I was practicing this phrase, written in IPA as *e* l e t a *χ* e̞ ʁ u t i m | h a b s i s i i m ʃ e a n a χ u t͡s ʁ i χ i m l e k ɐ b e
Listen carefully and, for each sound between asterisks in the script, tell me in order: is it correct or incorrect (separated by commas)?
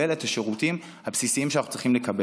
correct, incorrect